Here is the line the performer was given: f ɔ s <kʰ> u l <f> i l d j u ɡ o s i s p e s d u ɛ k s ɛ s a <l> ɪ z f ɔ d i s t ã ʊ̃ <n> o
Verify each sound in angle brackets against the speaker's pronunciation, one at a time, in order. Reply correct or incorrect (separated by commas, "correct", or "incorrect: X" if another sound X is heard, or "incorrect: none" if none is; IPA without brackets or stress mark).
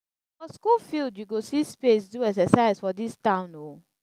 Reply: incorrect: k, correct, incorrect: none, correct